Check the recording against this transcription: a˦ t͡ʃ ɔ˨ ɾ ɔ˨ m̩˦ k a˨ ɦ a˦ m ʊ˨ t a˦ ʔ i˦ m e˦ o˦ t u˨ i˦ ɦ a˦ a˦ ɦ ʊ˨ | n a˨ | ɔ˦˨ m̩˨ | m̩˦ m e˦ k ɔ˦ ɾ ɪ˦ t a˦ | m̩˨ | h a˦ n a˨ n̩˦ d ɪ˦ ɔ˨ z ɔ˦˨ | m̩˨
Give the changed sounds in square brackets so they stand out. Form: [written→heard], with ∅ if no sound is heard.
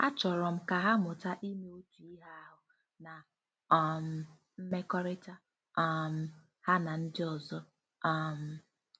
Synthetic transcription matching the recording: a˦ t͡ʃ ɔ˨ ɾ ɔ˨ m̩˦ k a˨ ɦ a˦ m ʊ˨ t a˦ ʔ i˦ m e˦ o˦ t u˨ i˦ ɦ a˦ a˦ ɦ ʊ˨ | n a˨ | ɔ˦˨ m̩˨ | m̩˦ m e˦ k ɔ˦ ɾ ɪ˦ t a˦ | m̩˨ | h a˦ n a˨ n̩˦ d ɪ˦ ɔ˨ z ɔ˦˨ | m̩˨